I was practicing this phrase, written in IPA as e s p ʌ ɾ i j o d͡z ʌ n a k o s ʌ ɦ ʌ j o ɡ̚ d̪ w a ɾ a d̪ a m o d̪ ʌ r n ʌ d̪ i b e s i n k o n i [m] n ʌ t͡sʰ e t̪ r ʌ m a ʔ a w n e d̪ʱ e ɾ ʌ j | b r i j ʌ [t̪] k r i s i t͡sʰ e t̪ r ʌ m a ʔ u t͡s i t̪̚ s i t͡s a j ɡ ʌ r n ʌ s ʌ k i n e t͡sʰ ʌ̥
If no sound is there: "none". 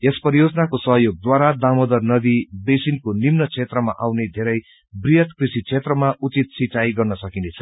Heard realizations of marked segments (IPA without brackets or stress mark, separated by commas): m, t̪